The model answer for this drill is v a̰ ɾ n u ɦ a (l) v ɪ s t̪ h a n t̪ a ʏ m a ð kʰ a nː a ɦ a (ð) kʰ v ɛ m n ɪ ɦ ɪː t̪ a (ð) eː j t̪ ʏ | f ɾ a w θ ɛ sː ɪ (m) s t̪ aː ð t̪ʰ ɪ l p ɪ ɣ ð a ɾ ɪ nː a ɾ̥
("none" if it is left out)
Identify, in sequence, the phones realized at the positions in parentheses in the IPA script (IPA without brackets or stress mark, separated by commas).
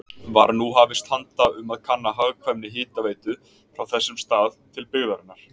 none, ɣ, v, m